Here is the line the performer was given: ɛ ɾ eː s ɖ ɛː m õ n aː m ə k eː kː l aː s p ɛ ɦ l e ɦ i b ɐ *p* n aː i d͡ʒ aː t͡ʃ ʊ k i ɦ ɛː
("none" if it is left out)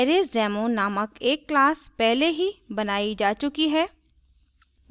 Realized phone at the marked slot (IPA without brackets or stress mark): none